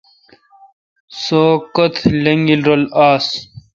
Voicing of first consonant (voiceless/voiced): voiceless